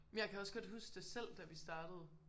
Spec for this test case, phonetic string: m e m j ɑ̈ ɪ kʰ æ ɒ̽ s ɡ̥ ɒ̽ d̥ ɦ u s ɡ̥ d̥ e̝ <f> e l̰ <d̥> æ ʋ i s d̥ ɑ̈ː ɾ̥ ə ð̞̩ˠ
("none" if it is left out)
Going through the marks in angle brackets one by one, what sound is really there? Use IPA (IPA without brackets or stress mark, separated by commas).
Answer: s, d̥